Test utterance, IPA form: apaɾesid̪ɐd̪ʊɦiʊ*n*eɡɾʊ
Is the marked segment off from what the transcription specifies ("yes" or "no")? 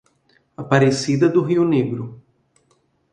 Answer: no